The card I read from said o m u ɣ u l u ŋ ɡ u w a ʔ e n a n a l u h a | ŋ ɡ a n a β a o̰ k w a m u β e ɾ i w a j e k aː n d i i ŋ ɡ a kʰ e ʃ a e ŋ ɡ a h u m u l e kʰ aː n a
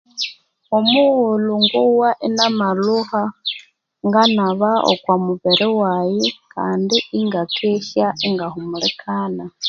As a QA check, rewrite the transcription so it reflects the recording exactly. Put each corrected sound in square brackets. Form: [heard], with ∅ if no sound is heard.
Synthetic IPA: o m u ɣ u l u ŋ ɡ u w a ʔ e n a [m] a l u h a | ŋ ɡ a n a β a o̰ k w a m u β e ɾ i w a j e k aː n d i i ŋ ɡ a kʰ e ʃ a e ŋ ɡ a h u m u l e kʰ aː n a